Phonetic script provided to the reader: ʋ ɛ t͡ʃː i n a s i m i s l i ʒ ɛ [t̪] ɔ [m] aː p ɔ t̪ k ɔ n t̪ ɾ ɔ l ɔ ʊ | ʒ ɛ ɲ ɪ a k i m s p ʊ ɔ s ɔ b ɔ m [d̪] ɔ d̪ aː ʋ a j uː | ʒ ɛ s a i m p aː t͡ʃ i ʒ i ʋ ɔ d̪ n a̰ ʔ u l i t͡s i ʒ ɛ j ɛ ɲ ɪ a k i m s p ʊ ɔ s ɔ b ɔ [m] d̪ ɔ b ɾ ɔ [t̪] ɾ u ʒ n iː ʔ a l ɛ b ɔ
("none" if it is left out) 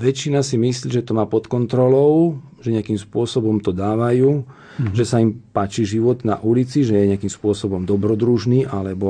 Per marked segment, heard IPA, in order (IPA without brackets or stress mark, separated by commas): t̪, m, t̪, m, d̪